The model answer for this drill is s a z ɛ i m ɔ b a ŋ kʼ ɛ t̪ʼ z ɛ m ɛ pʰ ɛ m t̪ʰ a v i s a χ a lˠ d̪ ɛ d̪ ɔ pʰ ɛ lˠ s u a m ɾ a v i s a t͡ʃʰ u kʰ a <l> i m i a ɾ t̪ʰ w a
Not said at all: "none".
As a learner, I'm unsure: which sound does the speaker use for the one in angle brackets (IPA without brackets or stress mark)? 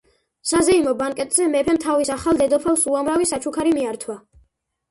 ɾ